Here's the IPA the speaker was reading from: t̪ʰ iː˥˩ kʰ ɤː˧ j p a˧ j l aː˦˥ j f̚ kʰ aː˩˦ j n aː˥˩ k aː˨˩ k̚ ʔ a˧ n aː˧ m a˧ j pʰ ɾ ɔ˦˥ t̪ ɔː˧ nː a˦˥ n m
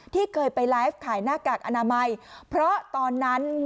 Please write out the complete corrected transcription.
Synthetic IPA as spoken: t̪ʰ iː˥˩ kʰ ɤː˧ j p a˧ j l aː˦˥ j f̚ kʰ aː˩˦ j n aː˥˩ k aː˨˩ k̚ ʔ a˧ n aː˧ m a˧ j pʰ ɾ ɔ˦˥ t̪ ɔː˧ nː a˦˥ n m